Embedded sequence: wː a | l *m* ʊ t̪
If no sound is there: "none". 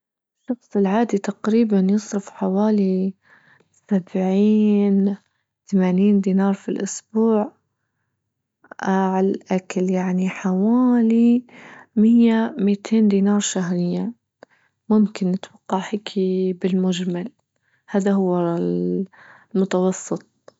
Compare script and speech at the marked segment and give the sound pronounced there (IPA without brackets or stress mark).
m